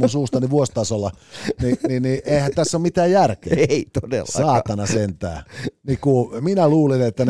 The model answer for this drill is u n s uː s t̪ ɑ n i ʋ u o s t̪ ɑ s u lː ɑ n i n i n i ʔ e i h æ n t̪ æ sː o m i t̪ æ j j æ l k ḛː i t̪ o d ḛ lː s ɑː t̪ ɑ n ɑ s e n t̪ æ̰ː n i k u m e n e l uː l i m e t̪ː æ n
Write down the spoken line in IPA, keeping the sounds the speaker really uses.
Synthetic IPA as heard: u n s uː s t̪ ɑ n i ʋ u o s t̪ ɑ s o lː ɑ n i n i n i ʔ e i h æ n t̪ æ sː o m i t̪ æː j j æ r k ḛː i t̪ o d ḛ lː s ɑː t̪ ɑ n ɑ s e n t̪ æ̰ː n i k u m i n æ l uː l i n e t̪ː æ n